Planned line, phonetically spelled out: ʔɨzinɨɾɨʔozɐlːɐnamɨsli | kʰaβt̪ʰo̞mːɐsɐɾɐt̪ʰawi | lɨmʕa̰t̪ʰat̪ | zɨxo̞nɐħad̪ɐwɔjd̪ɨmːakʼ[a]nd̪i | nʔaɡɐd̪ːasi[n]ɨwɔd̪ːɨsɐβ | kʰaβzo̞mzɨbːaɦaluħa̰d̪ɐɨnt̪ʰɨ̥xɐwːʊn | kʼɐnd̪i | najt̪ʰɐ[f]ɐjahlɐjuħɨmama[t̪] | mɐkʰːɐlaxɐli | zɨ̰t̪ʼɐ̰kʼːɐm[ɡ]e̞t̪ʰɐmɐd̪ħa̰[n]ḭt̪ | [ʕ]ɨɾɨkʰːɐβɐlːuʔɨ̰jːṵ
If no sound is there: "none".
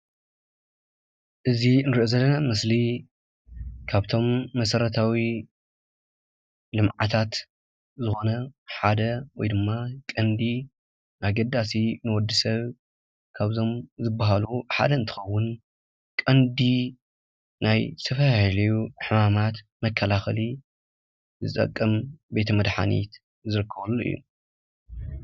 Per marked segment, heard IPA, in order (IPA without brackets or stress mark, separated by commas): ɐ, n, f, t̪, b, n, z